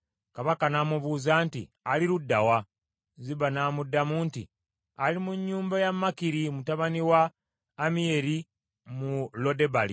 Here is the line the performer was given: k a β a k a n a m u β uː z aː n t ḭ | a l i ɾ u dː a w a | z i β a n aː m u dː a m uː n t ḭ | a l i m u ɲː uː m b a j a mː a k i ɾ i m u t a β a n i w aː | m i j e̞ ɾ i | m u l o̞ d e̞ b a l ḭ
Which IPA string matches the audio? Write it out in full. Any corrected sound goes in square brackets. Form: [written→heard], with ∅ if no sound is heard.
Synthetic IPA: k a β a k a n a m u β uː z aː n t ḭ | a l i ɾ u dː a w a | z i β a n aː m u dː a m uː n t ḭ | a l i m u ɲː uː m b a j a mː a k i ɾ i m u t a β a n i w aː | m i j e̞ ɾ i | m u l o̞ d e̞ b a l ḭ